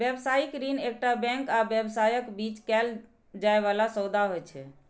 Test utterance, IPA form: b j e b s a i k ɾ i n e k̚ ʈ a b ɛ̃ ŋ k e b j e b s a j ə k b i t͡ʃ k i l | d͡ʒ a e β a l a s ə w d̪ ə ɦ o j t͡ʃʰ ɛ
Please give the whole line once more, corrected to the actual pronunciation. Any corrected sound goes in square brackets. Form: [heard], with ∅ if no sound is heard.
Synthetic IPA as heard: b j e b s a i k ɾ i n e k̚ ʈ a b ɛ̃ ŋ k [a] b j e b s a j ə k b i t͡ʃ k [ɛ] l | d͡ʒ a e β a l a s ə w d̪ [a] ɦ o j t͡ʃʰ ɛ